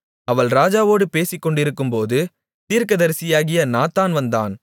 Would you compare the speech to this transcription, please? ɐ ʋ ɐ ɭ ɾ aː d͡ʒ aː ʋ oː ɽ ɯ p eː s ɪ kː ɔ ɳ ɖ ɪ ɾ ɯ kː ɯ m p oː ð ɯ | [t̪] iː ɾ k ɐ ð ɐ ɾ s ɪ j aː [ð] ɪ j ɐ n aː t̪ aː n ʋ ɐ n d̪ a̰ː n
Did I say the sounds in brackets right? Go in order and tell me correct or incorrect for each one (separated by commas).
correct, incorrect